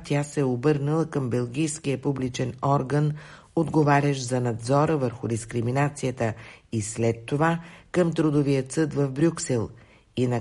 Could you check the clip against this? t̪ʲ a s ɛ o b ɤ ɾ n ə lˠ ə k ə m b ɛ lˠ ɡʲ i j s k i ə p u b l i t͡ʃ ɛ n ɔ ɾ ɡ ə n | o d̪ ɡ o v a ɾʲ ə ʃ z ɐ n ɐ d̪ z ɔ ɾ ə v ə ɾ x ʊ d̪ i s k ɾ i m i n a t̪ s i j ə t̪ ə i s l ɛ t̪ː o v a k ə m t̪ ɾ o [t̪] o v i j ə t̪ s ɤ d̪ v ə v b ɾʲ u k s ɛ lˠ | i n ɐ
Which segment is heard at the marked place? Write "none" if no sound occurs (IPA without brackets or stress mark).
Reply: d̪